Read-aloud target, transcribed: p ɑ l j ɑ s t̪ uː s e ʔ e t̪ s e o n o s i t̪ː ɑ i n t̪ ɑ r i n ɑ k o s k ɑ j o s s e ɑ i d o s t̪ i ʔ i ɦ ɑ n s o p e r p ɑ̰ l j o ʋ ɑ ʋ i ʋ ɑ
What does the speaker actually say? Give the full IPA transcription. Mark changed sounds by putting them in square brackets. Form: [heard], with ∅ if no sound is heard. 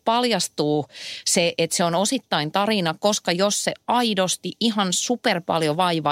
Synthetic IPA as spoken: p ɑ l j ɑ s t̪ uː s e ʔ e t̪ s e o n o s i t̪ː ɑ i n t̪ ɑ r i n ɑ k o s k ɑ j o s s e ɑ i d o s t̪ i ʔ i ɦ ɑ n s [u] p e r p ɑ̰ l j o ʋ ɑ [∅] i ʋ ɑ